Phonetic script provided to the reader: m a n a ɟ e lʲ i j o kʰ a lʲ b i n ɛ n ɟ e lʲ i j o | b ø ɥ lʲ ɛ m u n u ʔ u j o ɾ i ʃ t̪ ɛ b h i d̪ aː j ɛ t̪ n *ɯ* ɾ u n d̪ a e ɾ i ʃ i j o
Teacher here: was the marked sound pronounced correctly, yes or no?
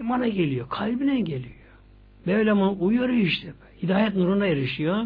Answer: no